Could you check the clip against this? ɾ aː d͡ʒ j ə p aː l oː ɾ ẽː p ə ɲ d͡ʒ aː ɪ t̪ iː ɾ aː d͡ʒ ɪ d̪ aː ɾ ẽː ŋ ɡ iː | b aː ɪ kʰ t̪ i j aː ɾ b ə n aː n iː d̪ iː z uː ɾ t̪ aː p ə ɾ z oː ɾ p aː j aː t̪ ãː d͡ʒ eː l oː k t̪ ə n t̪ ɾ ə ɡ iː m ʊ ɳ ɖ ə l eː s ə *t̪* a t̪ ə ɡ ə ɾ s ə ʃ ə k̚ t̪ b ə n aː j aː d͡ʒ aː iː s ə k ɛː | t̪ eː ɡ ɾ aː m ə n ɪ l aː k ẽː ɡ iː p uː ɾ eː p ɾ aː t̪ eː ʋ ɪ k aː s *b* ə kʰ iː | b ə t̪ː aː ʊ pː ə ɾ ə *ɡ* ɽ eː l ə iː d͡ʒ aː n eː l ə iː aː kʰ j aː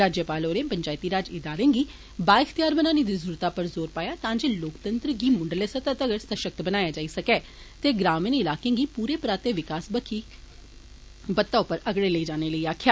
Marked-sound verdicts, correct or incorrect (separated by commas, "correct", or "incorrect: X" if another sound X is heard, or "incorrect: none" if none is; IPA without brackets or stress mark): correct, correct, correct